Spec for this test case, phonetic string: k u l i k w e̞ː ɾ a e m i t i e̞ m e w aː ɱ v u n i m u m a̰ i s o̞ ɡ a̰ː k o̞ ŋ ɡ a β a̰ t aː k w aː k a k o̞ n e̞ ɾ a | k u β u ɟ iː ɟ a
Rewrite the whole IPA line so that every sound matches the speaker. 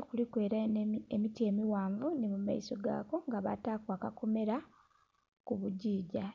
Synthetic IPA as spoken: k u l i k w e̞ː ɾ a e m i t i e̞ m i w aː ɱ v u n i m u m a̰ i s o̞ ɡ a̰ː k o̞ ŋ ɡ a β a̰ t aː k w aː k a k o̞ m e̞ ɾ a | k u β u ɟ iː ɟ a